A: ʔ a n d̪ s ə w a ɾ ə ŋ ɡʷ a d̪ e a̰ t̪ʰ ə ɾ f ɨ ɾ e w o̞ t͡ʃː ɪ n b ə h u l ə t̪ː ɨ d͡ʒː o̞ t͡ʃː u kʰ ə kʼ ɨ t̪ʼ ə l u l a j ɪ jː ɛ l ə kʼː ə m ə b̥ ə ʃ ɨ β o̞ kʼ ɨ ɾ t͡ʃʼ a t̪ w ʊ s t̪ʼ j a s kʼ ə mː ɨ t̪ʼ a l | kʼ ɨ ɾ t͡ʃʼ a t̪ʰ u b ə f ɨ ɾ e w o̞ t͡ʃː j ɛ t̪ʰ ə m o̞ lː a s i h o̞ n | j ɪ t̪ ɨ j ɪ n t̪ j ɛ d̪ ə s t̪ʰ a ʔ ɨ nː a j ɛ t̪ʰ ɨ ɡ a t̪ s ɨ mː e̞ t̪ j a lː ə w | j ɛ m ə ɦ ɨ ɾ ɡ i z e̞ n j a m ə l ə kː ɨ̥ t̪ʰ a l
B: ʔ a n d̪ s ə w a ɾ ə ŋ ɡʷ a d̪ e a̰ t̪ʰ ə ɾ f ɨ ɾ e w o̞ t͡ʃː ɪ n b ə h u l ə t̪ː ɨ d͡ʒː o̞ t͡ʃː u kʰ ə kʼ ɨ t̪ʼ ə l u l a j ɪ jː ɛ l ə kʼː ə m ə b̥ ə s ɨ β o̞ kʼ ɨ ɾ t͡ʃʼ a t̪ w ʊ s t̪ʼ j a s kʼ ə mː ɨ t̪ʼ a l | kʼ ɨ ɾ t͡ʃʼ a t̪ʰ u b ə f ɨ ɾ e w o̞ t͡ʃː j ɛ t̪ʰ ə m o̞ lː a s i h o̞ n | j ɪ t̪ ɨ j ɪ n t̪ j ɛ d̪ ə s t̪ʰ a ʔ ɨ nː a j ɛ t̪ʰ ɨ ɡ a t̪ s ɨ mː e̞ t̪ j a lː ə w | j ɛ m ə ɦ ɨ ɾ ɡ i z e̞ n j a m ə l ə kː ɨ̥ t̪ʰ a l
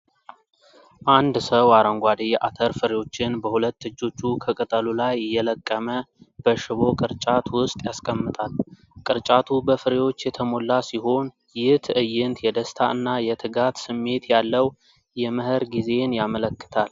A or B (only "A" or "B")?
A